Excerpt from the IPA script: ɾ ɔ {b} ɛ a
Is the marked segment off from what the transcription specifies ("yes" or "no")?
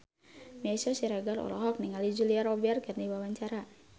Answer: no